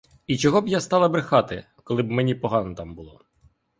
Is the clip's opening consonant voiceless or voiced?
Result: voiceless